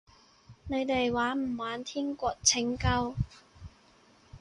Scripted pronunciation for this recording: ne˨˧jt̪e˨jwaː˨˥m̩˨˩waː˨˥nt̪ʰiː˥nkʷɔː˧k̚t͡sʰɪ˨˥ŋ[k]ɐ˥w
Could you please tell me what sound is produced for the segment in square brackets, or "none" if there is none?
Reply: k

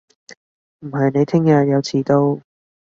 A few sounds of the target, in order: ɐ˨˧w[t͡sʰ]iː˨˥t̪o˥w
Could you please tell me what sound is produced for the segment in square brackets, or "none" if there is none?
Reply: t͡sʰ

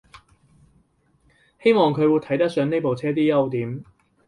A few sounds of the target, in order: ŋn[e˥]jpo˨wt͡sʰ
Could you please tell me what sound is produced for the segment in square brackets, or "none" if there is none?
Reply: e˥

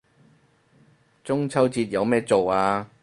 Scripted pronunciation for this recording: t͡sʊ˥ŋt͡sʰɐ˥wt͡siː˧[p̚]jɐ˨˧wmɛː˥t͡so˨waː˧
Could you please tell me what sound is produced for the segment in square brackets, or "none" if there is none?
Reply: t̚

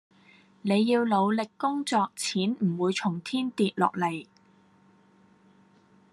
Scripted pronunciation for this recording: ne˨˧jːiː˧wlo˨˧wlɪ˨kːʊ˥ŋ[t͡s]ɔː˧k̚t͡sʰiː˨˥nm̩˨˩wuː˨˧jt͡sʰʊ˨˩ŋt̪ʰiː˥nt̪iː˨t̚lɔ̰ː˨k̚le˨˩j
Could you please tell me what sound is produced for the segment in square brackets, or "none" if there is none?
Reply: t͡s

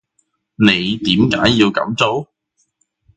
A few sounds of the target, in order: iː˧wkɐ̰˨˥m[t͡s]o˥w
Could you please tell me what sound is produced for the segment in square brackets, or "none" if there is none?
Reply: t͡s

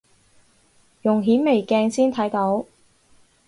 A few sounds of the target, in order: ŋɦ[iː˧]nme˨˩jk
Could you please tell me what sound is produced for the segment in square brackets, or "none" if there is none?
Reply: iː˨˥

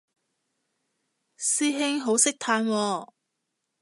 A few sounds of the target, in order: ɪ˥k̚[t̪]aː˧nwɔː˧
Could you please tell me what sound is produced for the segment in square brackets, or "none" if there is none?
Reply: t̪ʰ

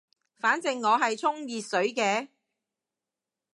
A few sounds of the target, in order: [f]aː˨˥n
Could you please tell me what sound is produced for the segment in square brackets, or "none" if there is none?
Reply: f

